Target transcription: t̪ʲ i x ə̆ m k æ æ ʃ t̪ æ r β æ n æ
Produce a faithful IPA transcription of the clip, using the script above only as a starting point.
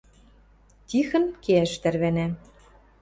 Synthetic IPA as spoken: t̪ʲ i x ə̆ n k e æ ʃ t̪ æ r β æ n æ